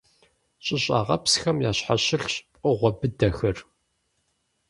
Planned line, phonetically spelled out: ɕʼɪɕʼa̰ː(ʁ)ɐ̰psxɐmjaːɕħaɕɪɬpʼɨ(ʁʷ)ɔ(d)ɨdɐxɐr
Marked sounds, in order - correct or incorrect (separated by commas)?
correct, correct, incorrect